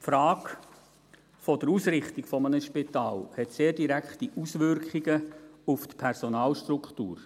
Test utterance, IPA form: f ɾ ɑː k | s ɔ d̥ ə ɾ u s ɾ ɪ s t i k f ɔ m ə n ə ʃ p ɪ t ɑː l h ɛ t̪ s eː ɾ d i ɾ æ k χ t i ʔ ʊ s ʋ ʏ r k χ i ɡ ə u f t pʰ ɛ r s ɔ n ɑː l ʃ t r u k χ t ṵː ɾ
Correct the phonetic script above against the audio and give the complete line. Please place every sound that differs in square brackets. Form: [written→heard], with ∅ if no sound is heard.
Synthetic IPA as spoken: f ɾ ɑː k | [s→f] ɔ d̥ ə ɾ u s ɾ ɪ [s→χ] t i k f ɔ m ə n ə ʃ p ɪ t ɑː l h ɛ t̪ s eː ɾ d i ɾ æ k χ t i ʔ [ʊ→u] s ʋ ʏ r k χ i ɡ ə u f t pʰ ɛ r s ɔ n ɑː l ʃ t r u k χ t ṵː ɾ